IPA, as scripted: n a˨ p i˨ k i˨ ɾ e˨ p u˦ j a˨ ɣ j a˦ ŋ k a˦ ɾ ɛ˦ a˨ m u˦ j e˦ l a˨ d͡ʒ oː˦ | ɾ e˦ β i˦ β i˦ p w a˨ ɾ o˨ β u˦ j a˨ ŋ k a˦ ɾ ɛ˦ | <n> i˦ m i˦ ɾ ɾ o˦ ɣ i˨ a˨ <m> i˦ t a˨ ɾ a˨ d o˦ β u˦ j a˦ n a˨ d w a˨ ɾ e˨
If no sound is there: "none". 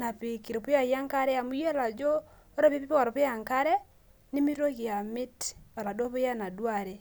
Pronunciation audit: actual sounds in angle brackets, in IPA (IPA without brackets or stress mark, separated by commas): n, m